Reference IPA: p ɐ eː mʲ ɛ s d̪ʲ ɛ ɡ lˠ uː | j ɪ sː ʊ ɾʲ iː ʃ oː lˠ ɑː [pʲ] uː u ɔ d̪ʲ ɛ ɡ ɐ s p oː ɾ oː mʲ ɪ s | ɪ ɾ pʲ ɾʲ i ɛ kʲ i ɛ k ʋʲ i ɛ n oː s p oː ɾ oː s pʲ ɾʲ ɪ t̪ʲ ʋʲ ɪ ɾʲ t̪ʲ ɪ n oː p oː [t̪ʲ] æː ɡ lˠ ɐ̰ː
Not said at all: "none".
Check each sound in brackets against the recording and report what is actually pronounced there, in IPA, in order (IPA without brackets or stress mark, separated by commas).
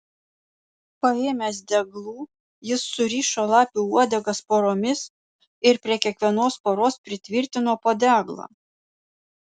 pʲ, d̪ʲ